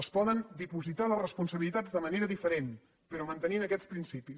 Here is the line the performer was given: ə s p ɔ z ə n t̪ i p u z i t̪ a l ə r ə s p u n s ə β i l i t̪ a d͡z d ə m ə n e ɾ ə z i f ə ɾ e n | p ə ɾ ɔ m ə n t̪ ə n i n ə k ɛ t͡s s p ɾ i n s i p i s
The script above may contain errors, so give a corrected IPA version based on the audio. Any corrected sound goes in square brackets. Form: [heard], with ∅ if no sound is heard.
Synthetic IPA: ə s p ɔ [ð] ə n [d̪] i p u z i t̪ a l ə r ə s p u n s ə β i l i t̪ a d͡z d ə m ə n e ɾ ə [ð] i f ə ɾ e n | p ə ɾ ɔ m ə n t̪ ə n i n ə k ɛ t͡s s p ɾ i n s i p i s